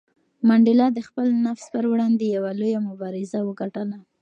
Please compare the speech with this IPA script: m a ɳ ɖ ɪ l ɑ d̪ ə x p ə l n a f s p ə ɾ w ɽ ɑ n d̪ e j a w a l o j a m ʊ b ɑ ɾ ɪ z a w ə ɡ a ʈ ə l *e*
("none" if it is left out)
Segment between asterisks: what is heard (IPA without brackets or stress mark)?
a